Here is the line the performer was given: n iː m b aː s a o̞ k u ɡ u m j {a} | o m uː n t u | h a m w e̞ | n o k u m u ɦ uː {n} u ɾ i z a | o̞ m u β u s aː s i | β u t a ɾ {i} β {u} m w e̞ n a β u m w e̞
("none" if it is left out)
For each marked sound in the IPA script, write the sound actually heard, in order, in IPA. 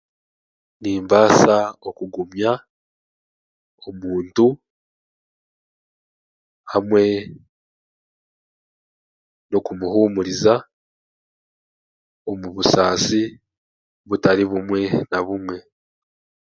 a, m, i, u

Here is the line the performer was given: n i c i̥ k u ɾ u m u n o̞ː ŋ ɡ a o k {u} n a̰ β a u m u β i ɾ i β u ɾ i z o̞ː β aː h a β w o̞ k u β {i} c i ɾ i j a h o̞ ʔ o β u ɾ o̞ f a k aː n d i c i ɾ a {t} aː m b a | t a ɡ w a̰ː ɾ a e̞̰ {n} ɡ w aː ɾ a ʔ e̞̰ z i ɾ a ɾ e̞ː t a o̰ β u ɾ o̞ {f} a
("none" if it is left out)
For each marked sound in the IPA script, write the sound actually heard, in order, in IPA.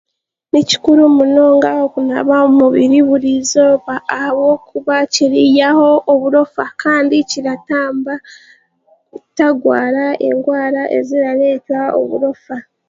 u, a, t, ŋ, f

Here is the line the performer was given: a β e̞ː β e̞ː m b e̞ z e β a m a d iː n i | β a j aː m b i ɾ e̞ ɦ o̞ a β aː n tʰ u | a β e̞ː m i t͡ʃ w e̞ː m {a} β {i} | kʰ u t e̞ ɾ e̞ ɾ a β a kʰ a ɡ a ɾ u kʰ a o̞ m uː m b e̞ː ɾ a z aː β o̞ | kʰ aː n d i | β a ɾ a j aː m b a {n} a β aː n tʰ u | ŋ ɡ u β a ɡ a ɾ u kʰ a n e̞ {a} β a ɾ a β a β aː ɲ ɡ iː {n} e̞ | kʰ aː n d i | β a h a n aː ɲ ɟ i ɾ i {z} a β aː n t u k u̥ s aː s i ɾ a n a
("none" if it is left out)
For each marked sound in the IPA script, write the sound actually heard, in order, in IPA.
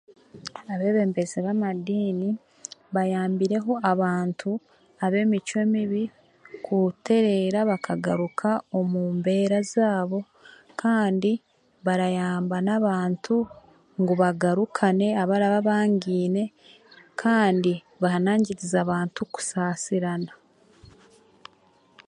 i, i, n, a, n, z

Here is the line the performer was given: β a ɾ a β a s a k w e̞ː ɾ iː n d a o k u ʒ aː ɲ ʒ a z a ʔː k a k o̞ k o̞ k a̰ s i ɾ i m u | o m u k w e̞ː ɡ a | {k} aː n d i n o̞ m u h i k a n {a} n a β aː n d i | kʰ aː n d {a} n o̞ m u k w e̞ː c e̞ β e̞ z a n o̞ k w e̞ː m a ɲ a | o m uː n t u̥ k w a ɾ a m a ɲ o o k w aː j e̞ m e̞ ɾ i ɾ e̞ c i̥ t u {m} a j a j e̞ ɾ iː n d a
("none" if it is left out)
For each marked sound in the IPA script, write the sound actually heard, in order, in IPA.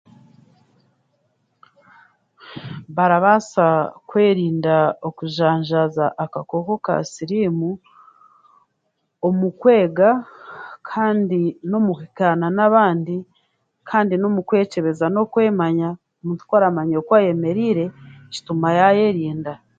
kʰ, a, i, m

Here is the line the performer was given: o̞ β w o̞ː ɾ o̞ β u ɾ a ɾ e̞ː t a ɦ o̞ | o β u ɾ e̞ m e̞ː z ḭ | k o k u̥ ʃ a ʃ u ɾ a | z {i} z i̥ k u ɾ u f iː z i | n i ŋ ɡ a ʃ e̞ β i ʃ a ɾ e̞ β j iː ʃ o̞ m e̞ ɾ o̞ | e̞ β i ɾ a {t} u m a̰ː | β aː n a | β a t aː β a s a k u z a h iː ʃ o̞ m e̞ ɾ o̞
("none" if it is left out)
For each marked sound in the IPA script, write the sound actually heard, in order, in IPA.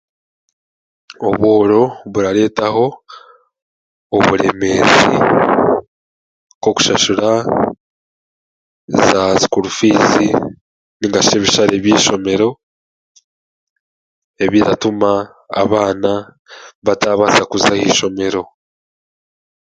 a, t

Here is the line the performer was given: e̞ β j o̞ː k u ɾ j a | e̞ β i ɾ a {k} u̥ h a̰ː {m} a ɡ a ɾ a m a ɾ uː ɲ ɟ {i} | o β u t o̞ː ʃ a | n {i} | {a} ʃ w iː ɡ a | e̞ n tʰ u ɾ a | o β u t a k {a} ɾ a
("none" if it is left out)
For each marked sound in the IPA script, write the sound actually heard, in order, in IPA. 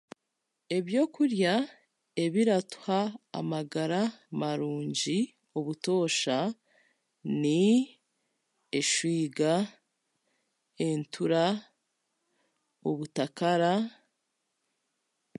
t, m, i, i, e, a

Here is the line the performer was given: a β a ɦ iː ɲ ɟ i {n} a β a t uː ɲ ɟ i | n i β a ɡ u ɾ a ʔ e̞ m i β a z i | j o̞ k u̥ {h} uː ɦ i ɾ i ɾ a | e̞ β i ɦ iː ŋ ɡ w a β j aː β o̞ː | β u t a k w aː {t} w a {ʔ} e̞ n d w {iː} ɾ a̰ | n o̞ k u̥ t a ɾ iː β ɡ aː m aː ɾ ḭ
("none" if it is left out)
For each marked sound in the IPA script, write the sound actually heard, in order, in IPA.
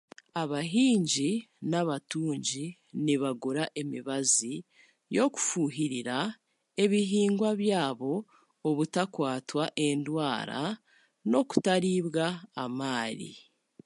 n, f, t, ʔ, aː

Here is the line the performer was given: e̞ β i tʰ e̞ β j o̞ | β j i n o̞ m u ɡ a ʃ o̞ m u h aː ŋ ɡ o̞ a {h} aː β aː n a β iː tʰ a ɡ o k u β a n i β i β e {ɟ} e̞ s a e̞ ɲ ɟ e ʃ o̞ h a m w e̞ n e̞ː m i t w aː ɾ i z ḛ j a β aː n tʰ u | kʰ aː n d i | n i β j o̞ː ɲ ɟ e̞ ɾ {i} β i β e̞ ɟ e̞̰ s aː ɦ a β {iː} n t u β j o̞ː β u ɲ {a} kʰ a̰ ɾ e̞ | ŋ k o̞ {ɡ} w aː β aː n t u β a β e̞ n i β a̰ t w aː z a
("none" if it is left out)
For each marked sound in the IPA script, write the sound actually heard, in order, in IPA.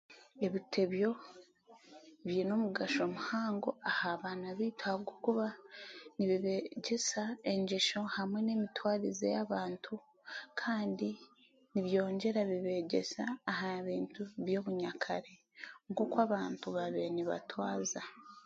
h, ɟ, a, iː, a, k

